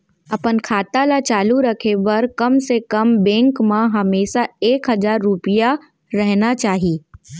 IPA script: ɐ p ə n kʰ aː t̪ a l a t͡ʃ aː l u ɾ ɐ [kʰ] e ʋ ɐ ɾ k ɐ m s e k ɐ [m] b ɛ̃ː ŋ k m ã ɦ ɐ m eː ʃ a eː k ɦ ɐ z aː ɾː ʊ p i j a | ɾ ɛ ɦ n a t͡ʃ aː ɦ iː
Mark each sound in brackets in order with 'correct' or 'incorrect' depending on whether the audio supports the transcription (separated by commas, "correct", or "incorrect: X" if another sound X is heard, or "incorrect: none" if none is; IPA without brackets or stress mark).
correct, correct